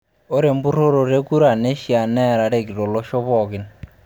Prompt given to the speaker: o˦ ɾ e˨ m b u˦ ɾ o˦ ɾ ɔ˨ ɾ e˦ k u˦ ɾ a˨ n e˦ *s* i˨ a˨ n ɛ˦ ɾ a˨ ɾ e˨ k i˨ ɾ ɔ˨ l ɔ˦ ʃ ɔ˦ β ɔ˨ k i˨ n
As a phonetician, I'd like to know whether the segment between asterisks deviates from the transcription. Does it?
yes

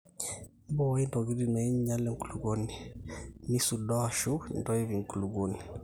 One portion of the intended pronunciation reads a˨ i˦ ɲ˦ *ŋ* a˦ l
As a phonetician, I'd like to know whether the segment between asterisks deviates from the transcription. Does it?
yes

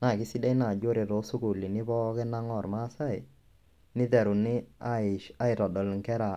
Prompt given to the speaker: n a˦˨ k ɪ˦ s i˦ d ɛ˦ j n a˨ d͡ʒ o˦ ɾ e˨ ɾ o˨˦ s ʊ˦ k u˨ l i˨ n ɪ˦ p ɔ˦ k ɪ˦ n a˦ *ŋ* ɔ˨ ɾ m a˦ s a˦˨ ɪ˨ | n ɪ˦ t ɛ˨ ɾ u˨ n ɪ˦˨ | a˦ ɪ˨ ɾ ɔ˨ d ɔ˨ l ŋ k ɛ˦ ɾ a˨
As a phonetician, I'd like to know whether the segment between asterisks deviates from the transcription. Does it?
no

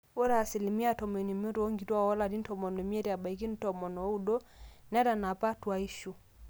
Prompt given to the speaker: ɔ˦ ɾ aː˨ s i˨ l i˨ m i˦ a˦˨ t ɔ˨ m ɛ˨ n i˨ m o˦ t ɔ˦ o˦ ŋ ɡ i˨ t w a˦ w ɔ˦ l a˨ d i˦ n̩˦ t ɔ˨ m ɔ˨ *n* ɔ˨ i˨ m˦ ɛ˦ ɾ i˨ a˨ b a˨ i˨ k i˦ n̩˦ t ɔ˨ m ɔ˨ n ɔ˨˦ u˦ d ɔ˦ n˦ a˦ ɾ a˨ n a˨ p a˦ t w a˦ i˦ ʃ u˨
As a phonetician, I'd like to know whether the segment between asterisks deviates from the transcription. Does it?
no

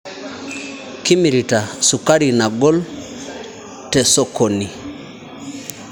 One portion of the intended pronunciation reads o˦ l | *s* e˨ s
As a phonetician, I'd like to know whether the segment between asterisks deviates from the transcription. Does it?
yes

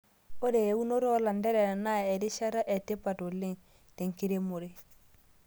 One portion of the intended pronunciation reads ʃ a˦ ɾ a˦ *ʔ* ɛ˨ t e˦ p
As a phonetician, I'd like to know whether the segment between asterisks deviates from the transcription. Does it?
no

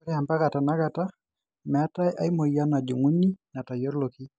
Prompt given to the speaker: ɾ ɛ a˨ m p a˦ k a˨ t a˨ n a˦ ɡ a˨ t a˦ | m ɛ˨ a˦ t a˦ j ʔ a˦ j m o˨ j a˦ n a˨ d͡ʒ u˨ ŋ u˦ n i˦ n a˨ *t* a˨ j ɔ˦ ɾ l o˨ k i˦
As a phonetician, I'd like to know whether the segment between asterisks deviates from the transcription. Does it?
no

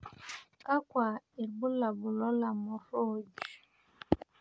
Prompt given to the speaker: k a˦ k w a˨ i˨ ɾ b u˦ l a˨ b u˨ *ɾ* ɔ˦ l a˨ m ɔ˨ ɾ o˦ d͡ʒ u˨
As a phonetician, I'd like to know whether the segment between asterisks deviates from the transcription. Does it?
yes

